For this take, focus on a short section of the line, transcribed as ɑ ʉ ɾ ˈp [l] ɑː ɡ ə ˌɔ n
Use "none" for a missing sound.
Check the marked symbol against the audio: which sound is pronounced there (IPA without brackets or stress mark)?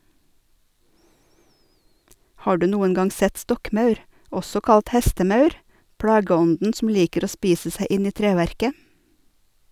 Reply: ɽ